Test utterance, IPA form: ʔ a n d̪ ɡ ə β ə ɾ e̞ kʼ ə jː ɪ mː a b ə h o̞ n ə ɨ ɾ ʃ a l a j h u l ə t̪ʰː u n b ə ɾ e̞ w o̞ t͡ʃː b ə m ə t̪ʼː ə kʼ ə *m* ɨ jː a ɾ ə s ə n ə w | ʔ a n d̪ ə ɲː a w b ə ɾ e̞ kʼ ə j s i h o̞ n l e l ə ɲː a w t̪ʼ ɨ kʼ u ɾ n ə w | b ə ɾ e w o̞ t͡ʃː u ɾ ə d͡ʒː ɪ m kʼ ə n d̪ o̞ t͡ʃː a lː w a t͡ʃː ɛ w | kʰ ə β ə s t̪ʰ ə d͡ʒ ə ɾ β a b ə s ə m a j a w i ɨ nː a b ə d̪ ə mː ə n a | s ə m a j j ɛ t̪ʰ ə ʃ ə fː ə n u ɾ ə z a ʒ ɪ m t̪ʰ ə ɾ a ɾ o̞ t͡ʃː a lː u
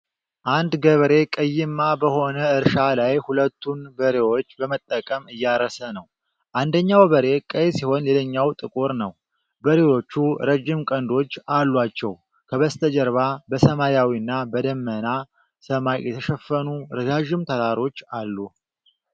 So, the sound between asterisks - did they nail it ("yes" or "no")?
yes